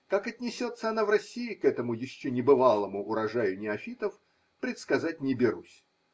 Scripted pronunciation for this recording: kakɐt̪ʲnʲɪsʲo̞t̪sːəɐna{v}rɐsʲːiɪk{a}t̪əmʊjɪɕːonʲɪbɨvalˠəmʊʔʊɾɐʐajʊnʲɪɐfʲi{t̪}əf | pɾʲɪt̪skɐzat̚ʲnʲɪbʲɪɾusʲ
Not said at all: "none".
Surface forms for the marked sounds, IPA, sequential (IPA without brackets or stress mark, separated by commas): v, ɛ, t̪